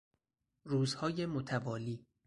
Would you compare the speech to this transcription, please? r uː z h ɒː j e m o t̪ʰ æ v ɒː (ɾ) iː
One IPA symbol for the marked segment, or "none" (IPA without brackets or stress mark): l